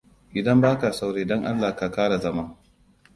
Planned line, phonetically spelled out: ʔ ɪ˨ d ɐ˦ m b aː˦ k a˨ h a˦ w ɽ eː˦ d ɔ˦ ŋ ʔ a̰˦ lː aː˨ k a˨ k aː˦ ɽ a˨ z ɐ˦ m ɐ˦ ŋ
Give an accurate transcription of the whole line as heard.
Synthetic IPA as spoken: ʔ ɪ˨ d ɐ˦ m b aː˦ k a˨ s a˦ w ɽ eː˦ d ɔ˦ ŋ ʔ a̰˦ lː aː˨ k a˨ k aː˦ ɽ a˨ z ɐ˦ m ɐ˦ ŋ